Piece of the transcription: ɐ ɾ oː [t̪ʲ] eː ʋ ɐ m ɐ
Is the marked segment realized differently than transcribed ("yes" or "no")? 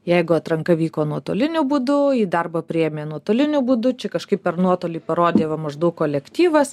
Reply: yes